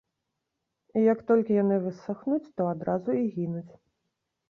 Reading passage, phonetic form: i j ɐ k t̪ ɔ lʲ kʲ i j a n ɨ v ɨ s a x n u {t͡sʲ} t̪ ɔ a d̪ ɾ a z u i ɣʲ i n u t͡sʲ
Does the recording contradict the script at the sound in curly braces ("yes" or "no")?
no